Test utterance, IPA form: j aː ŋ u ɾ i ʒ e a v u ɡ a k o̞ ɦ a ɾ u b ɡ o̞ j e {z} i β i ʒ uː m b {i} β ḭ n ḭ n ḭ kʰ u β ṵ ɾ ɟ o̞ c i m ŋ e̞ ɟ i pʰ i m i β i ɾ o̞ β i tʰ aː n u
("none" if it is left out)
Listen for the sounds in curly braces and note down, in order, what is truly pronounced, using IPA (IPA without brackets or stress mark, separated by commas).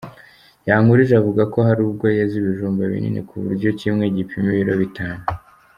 z, a